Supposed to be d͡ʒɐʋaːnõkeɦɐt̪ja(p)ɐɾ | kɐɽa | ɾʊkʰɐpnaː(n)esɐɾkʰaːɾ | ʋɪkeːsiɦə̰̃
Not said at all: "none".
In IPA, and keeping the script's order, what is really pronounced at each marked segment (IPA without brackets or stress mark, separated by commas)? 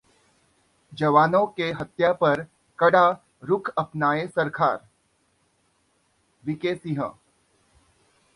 p, none